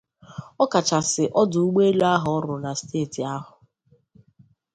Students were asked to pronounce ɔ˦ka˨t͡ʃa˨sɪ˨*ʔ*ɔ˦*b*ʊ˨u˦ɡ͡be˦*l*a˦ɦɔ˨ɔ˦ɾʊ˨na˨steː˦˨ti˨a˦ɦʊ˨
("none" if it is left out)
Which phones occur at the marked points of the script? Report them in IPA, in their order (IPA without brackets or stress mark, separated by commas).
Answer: ʔ, d, l